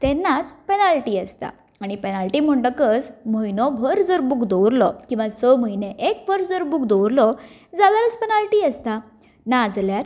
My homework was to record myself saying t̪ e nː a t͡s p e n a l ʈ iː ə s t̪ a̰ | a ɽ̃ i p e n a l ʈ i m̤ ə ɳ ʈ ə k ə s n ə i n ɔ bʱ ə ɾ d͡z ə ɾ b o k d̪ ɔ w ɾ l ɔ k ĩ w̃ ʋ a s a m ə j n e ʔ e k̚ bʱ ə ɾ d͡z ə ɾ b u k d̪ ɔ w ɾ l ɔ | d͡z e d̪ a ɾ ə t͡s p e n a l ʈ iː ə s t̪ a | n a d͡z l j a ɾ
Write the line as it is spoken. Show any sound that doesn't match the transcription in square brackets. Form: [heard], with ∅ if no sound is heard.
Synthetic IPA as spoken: t̪ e nː a t͡s p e n a l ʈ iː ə s t̪ a̰ | a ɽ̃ i p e n a l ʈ i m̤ ə ɳ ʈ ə k ə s [m] ə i n ɔ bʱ ə ɾ d͡z ə ɾ b [u] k d̪ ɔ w ɾ l ɔ k ĩ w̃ ʋ a s [ə] m ə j n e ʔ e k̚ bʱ ə ɾ d͡z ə ɾ b u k d̪ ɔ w ɾ l ɔ | d͡z [a] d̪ a ɾ ə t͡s p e n a l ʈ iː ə s t̪ a | n a d͡z l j a ɾ